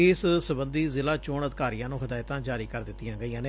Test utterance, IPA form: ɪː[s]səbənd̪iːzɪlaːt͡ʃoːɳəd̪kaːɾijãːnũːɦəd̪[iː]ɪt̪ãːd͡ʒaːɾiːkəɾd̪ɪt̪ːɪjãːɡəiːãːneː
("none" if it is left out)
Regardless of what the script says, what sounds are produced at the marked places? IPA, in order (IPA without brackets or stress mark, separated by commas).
s, aː